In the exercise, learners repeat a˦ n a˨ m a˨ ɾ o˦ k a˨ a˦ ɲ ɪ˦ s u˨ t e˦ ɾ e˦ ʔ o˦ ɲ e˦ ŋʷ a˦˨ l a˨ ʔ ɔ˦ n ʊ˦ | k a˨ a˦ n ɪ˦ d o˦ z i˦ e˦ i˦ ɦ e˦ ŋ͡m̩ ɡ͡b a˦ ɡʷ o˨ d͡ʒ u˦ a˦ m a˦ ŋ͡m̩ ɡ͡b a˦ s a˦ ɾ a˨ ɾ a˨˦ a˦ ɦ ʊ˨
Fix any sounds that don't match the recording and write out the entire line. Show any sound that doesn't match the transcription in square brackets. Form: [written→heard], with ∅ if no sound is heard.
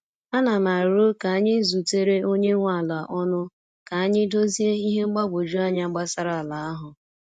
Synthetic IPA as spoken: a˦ n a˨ m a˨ ɾ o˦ k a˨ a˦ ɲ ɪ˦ [s→z] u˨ t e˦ ɾ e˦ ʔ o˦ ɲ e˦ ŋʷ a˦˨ l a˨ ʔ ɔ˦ n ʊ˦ | k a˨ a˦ [n→ɲ] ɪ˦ d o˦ z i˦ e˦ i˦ ɦ e˦ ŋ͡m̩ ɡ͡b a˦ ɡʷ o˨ d͡ʒ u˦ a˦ [m→ɲ] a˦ ŋ͡m̩ ɡ͡b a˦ s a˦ ɾ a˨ [ɾ→l] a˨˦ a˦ ɦ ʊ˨

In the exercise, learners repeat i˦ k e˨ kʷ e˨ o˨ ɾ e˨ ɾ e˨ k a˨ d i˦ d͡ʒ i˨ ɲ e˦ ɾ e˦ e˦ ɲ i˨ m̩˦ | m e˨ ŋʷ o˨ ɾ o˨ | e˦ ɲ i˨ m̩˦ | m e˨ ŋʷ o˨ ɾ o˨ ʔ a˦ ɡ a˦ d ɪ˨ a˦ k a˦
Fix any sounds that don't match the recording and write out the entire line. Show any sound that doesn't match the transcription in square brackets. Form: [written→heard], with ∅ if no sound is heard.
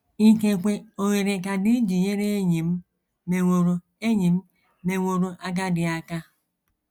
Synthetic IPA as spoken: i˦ k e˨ kʷ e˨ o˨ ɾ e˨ ɾ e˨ k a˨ d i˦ d͡ʒ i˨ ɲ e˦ ɾ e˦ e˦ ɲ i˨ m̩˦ | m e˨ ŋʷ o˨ ɾ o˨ | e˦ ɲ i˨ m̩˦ | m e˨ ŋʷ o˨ ɾ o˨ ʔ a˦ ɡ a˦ d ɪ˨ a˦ k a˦

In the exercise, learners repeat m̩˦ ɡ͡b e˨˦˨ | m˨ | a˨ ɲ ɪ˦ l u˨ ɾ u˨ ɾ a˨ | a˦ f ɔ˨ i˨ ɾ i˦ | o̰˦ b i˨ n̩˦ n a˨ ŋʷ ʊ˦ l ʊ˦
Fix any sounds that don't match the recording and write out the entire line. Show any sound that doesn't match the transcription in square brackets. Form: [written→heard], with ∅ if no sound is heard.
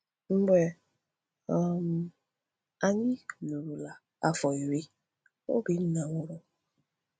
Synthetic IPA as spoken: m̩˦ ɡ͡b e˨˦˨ | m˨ | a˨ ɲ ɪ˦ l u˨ ɾ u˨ [ɾ→l] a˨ | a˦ f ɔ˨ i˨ ɾ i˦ | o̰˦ b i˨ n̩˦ n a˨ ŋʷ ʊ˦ [l→ɾ] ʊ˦

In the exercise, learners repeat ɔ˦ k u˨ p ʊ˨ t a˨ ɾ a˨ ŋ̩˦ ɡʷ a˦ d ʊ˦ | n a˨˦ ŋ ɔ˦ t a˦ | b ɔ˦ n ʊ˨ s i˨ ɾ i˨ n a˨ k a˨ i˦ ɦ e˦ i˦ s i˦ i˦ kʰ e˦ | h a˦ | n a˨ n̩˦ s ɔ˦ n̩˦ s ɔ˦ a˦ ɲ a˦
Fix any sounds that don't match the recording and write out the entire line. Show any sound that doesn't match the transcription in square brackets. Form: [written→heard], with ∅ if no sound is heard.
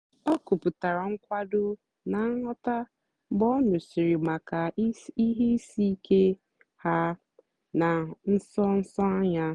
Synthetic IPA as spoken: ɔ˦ k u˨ p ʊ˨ t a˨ ɾ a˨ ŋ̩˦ [ɡʷ→kʷ] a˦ d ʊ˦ | n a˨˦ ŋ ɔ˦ t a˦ | b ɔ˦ n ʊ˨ s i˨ ɾ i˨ [n→m] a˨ k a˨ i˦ ɦ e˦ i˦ s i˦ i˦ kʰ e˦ | h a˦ | n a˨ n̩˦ s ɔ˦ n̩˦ s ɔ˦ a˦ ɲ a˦

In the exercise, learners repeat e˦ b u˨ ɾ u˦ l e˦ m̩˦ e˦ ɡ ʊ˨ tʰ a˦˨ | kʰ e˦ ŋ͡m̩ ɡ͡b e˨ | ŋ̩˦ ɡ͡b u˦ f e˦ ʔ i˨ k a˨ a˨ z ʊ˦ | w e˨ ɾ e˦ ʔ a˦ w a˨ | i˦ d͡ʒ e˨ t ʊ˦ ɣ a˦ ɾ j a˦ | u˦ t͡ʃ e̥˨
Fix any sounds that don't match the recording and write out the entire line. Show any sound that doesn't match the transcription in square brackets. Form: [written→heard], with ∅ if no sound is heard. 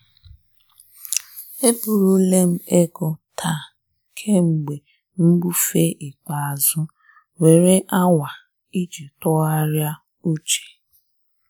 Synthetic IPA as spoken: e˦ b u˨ ɾ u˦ l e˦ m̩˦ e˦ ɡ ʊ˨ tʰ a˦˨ | kʰ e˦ ŋ͡m̩ ɡ͡b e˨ | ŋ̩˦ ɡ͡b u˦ f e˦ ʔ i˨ [k→k͡p] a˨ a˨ z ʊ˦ | w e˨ ɾ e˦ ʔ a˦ w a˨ | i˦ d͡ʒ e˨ t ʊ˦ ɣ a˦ ɾ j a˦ | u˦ t͡ʃ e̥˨

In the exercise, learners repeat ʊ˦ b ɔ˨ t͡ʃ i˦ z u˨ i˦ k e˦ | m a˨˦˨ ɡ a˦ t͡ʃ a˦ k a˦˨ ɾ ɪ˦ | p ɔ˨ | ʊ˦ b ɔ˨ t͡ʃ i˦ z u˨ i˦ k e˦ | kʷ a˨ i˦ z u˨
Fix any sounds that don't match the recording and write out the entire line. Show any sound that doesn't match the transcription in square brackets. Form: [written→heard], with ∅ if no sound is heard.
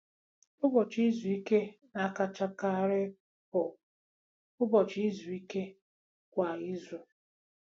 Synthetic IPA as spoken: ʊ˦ b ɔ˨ t͡ʃ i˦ z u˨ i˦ k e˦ | [m→n] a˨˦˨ [ɡ→k] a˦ t͡ʃ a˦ k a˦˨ ɾ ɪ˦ | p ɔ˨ | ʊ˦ b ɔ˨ t͡ʃ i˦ z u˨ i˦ k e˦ | kʷ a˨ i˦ z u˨

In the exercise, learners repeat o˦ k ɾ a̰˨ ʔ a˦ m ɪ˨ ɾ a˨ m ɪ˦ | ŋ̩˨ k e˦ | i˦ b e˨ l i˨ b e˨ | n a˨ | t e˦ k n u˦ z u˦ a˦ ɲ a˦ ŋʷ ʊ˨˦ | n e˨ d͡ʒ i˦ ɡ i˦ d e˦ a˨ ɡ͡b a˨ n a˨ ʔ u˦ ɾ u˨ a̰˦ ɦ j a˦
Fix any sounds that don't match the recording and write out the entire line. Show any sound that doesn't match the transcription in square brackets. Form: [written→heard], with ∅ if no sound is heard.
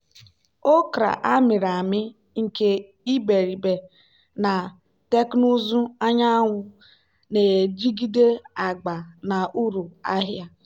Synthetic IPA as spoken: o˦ k ɾ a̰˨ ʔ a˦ m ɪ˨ ɾ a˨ m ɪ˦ | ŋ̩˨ k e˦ | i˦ b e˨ [l→ɾ] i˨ b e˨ | n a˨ | t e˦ k n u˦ z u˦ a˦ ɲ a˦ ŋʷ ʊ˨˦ | n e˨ d͡ʒ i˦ ɡ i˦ d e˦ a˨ ɡ͡b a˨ n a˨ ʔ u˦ ɾ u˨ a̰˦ ɦ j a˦

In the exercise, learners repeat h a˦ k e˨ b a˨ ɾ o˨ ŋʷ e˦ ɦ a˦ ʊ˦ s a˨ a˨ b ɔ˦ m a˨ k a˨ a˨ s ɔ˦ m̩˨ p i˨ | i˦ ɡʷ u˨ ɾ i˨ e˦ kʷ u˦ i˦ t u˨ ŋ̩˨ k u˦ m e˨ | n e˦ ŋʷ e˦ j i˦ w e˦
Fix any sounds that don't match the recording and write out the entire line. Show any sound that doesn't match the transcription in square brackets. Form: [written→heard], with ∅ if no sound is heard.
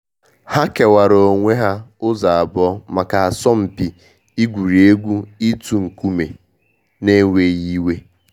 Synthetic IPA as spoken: h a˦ k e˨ [b→w] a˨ ɾ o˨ ŋʷ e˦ ɦ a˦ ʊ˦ [s→z] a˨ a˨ b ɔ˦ m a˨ k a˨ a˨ s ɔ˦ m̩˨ p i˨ | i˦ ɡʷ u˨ ɾ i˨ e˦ [kʷ→ɡʷ] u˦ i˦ t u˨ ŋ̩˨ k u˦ m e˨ | n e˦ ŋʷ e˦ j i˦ w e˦

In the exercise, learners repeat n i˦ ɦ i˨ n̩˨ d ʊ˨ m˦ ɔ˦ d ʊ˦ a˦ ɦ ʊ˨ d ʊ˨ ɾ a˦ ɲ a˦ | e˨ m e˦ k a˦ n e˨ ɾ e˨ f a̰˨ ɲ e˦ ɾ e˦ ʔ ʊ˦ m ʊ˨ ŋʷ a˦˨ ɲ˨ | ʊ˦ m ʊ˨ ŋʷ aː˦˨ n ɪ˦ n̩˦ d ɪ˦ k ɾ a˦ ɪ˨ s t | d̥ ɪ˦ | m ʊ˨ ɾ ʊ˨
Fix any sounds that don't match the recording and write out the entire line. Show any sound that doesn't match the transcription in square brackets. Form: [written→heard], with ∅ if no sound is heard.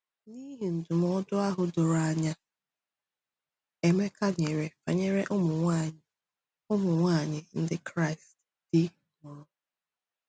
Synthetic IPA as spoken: n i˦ ɦ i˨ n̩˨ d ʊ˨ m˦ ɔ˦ d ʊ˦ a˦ ɦ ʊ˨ d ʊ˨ ɾ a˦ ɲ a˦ | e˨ m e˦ k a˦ [n→ɲ] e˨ ɾ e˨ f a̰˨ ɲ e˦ ɾ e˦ ʔ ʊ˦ m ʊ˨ ŋʷ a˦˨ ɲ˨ | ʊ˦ m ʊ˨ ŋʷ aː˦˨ [n→ɲ] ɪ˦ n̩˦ d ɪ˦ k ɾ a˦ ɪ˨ s t | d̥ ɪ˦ | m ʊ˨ ɾ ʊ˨

